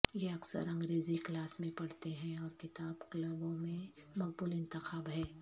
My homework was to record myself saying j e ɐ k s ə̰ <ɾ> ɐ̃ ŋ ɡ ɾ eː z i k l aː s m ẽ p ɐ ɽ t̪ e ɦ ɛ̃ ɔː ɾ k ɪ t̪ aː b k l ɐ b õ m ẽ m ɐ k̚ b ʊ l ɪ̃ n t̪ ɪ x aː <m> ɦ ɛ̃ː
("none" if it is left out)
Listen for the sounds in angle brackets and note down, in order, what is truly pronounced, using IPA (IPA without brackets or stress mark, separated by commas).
ɾ, b